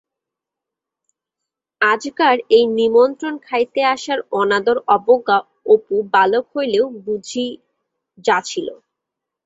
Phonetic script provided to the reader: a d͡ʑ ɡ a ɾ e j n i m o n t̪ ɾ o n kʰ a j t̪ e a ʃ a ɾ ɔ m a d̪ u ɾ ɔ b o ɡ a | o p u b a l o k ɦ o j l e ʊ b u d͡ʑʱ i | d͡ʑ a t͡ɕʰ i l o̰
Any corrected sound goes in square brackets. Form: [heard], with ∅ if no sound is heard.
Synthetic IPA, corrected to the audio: a d͡ʑ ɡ a ɾ e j n i m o n t̪ ɾ o n kʰ a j t̪ e a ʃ a ɾ ɔ [n] a d̪ [o] ɾ ɔ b o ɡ a | o p u b a l o k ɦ o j l e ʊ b u d͡ʑʱ i | d͡ʑ a t͡ɕʰ i l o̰